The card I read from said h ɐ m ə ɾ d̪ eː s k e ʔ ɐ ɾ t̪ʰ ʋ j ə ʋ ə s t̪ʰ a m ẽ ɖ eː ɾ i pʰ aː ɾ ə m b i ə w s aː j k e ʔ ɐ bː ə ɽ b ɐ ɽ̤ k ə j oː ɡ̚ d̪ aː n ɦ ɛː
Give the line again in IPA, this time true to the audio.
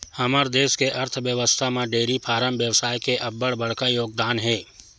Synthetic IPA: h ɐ m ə ɾ d̪ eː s k e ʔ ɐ ɾ t̪ʰ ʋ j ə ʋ ə s t̪ʰ a m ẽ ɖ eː ɾ i pʰ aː ɾ ə m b j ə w s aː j k e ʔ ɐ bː ə ɽ b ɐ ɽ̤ k a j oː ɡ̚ d̪ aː n ɦ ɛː